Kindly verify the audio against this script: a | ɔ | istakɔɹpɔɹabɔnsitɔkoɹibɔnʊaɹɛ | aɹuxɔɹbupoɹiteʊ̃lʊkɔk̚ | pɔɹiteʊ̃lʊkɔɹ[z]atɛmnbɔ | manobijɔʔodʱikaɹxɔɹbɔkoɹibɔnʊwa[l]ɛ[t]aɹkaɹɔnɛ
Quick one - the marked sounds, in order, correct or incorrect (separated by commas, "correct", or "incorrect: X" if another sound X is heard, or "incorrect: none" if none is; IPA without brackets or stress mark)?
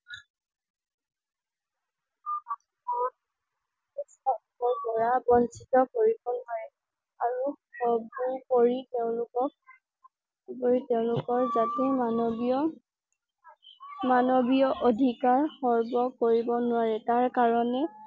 correct, incorrect: ɹ, correct